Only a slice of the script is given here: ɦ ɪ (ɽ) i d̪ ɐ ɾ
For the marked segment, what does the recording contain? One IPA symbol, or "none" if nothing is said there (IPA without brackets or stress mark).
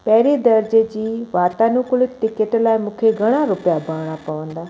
ɾ